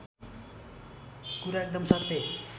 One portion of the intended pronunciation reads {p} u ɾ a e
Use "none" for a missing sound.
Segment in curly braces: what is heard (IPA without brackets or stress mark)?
k